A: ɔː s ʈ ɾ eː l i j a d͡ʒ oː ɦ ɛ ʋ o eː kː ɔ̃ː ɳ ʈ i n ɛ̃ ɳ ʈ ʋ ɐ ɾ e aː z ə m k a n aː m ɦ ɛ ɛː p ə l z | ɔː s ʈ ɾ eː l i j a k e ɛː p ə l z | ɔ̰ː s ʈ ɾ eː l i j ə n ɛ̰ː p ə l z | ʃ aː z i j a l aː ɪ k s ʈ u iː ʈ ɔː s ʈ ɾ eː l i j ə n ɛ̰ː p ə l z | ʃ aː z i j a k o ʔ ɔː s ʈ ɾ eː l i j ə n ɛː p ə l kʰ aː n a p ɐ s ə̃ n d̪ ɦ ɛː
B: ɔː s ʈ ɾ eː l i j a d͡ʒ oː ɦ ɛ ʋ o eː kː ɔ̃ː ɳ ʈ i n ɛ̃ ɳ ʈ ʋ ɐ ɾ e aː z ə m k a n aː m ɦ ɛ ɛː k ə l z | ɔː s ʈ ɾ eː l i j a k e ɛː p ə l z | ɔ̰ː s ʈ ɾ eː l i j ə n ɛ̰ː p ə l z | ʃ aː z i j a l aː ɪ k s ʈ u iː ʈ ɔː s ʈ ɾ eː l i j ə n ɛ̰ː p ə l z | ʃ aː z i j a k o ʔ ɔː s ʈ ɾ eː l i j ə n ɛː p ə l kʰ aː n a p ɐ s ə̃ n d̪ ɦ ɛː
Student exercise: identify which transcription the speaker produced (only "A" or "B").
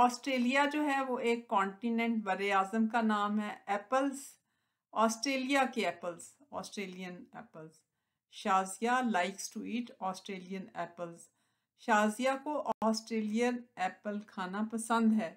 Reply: A